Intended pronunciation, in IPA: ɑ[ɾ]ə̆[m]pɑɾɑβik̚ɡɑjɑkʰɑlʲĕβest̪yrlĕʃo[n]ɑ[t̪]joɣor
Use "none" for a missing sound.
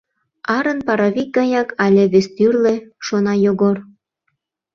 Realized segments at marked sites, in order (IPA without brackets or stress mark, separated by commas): ɾ, n, n, none